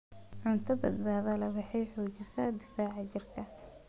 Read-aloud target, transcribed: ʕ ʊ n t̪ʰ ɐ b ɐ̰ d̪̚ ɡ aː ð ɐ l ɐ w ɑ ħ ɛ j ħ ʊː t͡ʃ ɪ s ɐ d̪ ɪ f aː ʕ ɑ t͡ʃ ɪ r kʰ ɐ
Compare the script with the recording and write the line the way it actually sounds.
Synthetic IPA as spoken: ʕ ʊ n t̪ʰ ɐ b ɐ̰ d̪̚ b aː ð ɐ l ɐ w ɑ ħ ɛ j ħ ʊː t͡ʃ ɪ s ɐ d̪ ɪ f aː ʕ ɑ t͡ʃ ɪ r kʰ ɐ